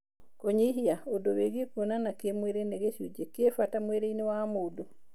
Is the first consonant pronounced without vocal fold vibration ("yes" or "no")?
yes